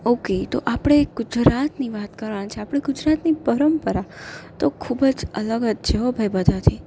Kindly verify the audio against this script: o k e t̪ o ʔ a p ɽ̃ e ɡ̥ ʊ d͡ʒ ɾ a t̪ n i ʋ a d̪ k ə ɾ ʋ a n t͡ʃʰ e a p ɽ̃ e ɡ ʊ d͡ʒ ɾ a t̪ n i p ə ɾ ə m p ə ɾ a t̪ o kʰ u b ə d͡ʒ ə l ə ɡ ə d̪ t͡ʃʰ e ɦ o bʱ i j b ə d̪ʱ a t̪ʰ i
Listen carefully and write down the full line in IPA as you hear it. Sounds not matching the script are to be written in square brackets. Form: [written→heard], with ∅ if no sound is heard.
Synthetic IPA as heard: o k e t̪ o ʔ a p ɽ̃ e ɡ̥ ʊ d͡ʒ ɾ a t̪ n i ʋ a [d̪→t̪] k ə ɾ ʋ a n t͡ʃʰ e a p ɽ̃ e ɡ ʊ d͡ʒ ɾ a t̪ n i p ə ɾ ə m p ə ɾ a t̪ o kʰ u b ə d͡ʒ ə l ə ɡ ə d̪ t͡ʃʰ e ɦ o bʱ [i→a] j b ə d̪ʱ a t̪ʰ i